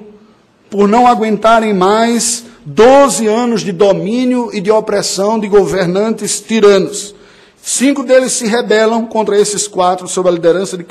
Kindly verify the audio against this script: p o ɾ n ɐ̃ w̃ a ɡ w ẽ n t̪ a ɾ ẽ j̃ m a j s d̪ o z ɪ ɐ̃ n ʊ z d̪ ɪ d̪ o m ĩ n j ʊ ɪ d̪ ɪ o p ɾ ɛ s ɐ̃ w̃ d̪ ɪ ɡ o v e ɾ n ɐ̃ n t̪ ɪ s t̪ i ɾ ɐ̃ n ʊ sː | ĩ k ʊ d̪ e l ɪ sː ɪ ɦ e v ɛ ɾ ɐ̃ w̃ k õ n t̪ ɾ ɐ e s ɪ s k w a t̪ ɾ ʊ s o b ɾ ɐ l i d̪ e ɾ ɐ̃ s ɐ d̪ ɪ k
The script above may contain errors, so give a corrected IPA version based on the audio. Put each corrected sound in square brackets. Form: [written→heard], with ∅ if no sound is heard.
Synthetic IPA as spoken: p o ɾ n ɐ̃ w̃ a ɡ w ẽ n t̪ a ɾ ẽ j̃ m a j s d̪ o z ɪ ɐ̃ n ʊ z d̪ ɪ d̪ o m ĩ n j ʊ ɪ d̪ ɪ o p ɾ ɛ s ɐ̃ w̃ d̪ ɪ ɡ o v e ɾ n ɐ̃ n t̪ ɪ s t̪ i ɾ ɐ̃ n ʊ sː | ĩ k ʊ d̪ e l ɪ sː ɪ ɦ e [v→b] ɛ [ɾ→l] ɐ̃ w̃ k õ n t̪ ɾ ɐ e s ɪ s k w a t̪ ɾ ʊ s o b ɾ ɐ l i d̪ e ɾ ɐ̃ s ɐ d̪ ɪ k